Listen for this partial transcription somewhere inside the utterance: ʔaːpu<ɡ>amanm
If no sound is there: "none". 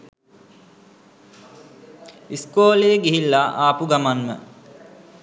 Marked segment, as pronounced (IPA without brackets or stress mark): ɡ